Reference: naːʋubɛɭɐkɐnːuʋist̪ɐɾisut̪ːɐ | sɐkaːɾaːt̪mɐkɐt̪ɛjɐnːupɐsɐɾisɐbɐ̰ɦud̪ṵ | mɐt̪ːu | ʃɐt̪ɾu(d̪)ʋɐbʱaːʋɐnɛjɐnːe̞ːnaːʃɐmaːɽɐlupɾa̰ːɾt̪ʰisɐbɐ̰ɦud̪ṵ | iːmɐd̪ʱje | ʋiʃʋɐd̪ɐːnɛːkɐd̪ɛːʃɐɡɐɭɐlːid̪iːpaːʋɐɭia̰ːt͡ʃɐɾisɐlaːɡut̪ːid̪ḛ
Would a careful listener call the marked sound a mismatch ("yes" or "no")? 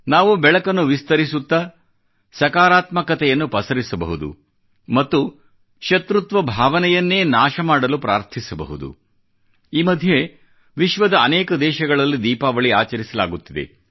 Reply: yes